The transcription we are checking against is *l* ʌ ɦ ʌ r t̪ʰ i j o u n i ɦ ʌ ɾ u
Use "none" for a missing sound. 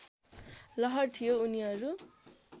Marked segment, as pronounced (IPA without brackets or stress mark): l